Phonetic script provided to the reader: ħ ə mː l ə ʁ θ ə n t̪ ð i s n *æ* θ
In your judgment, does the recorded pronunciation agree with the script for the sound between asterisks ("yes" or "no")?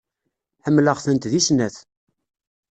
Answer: yes